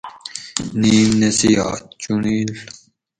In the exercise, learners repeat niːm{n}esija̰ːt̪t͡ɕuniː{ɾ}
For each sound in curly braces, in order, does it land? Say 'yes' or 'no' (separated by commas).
yes, no